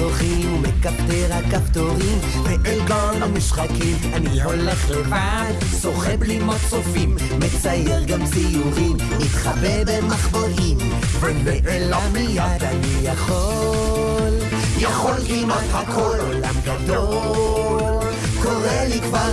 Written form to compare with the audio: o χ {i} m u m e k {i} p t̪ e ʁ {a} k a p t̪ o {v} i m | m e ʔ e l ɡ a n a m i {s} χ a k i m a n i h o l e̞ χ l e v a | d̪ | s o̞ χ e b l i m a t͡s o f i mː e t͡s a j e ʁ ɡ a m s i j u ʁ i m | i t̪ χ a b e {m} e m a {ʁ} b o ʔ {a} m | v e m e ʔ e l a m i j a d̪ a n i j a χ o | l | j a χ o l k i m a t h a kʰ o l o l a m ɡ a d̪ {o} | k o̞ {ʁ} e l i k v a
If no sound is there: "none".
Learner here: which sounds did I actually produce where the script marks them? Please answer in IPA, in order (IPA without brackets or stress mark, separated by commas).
i, a, a, ʁ, ʃ, b, χ, i, o, ʁ